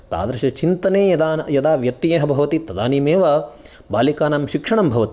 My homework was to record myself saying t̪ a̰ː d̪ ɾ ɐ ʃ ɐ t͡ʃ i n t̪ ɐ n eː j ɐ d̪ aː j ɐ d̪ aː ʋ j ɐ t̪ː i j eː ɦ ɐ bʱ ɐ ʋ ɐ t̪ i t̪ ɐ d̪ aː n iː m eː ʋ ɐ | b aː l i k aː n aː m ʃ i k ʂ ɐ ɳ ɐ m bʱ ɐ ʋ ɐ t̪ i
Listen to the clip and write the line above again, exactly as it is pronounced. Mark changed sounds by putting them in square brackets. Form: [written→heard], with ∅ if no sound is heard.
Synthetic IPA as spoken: t̪ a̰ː d̪ ɾ ɐ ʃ ɐ t͡ʃ i n t̪ ɐ n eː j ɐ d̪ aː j ɐ d̪ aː ʋ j ɐ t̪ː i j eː ɦ ɐ bʱ ɐ ʋ ɐ t̪ i t̪ ɐ d̪ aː n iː m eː ʋ ɐ | b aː l i k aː n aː m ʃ i k ʂ ɐ ɳ ɐ m bʱ ɐ ʋ ɐ t̪ i